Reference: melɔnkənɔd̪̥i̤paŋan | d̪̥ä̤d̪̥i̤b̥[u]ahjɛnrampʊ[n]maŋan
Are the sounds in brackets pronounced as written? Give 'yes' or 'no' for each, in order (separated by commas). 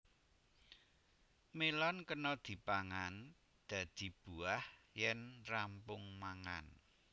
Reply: yes, no